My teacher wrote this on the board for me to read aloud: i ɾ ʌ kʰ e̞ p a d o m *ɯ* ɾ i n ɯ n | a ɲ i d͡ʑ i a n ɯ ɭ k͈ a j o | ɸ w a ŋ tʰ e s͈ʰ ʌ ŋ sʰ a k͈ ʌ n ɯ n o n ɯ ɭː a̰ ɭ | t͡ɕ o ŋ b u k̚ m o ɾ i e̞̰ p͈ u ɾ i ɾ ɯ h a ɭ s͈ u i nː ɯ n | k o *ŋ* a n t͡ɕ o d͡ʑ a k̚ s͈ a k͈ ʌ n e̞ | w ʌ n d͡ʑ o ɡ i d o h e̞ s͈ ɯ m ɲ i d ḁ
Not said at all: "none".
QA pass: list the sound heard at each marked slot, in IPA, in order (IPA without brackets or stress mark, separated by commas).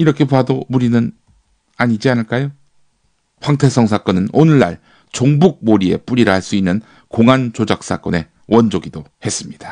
u, ŋ